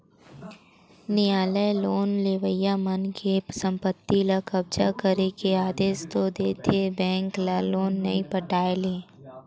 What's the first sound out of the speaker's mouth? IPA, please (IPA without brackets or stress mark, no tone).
n